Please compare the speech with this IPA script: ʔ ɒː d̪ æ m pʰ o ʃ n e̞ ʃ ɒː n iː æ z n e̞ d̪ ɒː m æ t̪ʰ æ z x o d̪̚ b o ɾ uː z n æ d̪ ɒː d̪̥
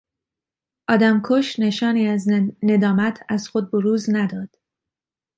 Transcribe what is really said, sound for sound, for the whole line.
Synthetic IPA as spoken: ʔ ɒː d̪ æ m kʰ o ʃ n e̞ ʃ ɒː n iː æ z n e̞ d̪ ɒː m æ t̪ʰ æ z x o d̪̚ b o ɾ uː z n æ d̪ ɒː d̪̥